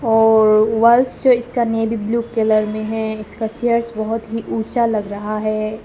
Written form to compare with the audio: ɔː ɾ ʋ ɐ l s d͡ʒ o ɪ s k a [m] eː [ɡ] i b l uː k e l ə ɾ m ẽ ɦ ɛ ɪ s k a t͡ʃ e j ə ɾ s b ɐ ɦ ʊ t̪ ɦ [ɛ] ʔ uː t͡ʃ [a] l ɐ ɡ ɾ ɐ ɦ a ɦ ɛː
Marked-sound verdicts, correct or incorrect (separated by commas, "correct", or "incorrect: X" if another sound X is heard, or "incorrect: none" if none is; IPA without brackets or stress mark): incorrect: n, incorrect: b, incorrect: i, correct